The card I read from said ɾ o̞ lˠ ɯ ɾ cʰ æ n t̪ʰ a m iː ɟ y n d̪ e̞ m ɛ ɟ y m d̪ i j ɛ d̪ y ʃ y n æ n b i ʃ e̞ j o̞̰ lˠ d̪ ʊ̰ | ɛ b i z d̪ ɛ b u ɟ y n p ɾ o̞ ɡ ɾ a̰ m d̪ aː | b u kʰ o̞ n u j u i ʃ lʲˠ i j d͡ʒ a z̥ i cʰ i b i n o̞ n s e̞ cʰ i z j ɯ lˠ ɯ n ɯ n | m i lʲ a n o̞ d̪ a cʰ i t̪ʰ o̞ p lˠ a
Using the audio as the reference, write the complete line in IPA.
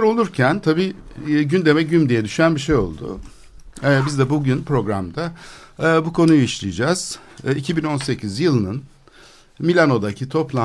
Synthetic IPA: ɾ o̞ lˠ u ɾ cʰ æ n t̪ʰ a b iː ɟ y n d̪ e̞ m ɛ ɟ y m d̪ i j ɛ d̪ y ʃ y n æ n b i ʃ e̞ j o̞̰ lˠ d̪ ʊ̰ | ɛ b i z d̪ ɛ b u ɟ y n p ɾ o̞ ɡ ɾ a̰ m d̪ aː | b u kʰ o̞ n u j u i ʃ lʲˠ i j d͡ʒ a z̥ i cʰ i b i n o̞ n s e̞ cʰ i z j ɯ lˠ ɯ n ɯ n | m i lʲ a n o̞ d̪ a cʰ i t̪ʰ o̞ p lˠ a